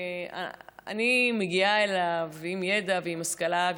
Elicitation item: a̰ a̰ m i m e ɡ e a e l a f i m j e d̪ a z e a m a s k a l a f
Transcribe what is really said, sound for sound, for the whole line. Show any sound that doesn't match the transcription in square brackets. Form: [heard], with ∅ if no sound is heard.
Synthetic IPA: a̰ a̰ [n] i m e ɡ [i] a e l a [v] i m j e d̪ a [v] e [i] m a s k a l a [v]